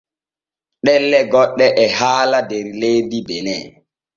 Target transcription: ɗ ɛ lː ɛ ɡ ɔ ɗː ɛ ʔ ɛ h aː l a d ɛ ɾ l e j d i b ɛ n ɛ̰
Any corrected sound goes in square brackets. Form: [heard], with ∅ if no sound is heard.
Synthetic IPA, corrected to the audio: ɗ ɛ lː ɛ ɡ ɔ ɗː ɛ ʔ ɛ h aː l a d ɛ ɾ l e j d i b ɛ n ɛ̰